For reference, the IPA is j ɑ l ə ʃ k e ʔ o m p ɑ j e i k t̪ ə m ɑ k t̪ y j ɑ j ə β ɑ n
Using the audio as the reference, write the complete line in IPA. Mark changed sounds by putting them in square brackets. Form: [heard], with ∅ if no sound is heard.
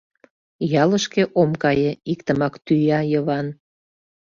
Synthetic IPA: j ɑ l ə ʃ k e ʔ o m [k] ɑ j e i k t̪ ə m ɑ k t̪ y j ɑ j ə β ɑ n